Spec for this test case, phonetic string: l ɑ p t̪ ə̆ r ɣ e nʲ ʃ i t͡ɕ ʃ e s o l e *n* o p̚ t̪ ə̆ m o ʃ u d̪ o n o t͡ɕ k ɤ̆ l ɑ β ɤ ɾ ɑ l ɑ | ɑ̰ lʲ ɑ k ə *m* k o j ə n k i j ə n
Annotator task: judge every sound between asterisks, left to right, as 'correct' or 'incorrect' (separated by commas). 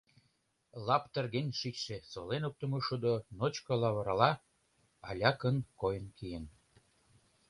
correct, incorrect